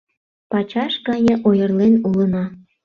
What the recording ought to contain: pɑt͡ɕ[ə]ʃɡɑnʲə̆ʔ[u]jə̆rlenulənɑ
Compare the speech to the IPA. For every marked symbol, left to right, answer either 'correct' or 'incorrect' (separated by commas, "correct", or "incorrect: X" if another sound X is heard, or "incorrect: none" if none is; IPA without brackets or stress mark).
incorrect: ɑ, incorrect: o